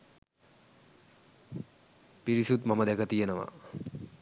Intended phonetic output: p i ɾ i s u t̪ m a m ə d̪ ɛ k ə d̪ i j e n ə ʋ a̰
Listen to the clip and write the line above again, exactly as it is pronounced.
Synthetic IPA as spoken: p i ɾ i s u t̪ m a m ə d̪ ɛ k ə t̪ i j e n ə ʋ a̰